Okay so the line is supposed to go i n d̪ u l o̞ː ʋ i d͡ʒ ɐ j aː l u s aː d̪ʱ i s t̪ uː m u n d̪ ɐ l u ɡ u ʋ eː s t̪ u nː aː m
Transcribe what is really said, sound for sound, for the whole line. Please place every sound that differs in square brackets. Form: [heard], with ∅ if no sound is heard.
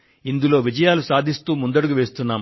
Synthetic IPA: i n d̪ u l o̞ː ʋ i d͡ʒ ɐ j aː l u s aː d̪ʱ i s t̪ uː m u n d̪ ɐ [ɽ] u ɡ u ʋ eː s t̪ u nː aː m